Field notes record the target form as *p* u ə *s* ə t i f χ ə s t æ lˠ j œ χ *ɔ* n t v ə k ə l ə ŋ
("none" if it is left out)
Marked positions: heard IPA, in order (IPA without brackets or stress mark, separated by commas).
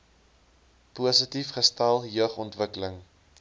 p, s, ɔ